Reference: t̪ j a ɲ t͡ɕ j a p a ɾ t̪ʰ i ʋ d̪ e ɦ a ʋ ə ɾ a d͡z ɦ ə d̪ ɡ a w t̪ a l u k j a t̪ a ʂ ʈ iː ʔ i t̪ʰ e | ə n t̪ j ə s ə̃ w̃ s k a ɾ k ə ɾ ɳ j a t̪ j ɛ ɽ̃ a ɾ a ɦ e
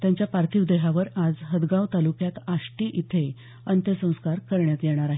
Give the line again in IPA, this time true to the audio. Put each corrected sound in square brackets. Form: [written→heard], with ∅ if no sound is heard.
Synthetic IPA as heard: t̪ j a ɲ t͡ɕ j a p a ɾ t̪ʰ i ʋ d̪ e ɦ a ʋ ə ɾ a d͡z ɦ ə d̪ ɡ a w t̪ a l u k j a t̪ a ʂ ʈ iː ʔ i t̪ʰ e | ə n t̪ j ə s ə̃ w̃ s k a ɾ k ə ɾ ɳ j a t̪ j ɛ ɽ̃ a ɾ a ɦ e